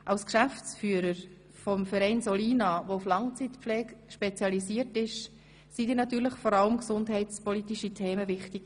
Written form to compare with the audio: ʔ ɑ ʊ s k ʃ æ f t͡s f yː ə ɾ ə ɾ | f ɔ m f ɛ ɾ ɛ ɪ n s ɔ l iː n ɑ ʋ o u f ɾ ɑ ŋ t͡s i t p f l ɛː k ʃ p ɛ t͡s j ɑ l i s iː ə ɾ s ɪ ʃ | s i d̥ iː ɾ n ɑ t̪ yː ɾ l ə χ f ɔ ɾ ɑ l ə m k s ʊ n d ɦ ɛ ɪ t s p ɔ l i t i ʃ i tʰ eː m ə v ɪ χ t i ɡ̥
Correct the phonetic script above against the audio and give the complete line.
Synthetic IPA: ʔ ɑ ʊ s k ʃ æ f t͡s f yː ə ɾ ə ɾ | f ɔ m f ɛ ɾ ɛ ɪ n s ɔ l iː n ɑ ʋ o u f l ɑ ŋ t͡s i t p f l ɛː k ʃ p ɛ t͡s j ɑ l i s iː ə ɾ t ɪ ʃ | s i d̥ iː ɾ n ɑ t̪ yː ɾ l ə χ f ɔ ɾ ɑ l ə m k s ʊ n d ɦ ɛ ɪ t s p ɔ l i t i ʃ i tʰ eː m ə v ɪ χ t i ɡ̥